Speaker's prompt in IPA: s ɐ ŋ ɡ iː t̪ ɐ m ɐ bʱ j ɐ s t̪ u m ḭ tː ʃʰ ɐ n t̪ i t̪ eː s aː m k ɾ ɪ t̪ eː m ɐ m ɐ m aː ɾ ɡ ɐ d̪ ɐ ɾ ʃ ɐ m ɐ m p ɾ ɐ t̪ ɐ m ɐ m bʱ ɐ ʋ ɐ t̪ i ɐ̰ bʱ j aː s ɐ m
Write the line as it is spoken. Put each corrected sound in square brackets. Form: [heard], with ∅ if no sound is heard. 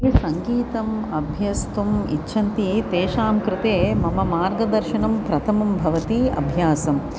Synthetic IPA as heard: s ɐ ŋ ɡ iː t̪ ɐ m ɐ bʱ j ɐ s t̪ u m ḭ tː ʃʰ ɐ n t̪ i t̪ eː [ʃ] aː m k ɾ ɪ t̪ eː m ɐ m ɐ m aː ɾ ɡ ɐ d̪ ɐ ɾ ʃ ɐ [n] ɐ m p ɾ ɐ [t̪ʰ] ɐ m ɐ m bʱ ɐ ʋ ɐ t̪ i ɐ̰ bʱ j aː s ɐ m